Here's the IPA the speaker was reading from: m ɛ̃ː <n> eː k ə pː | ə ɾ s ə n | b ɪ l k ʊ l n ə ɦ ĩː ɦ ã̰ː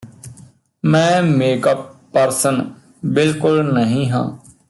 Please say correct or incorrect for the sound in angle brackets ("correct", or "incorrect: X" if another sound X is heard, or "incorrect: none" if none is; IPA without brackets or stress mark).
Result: incorrect: m